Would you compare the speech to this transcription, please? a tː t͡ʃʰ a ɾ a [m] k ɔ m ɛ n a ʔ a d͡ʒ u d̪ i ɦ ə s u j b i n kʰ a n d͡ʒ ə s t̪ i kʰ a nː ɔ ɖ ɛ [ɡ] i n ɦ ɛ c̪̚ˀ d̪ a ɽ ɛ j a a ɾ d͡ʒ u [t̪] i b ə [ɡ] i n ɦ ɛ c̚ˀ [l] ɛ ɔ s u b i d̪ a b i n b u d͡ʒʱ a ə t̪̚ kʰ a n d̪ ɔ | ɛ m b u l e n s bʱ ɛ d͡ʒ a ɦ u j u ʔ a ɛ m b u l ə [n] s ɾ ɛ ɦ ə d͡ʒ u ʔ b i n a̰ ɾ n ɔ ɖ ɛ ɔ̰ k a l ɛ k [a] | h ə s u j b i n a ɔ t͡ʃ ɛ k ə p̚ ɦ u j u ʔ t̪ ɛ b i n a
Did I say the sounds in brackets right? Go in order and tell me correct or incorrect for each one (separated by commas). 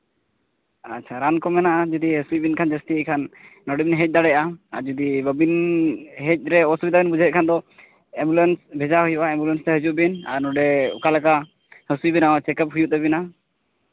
incorrect, incorrect, incorrect, incorrect, incorrect, correct, correct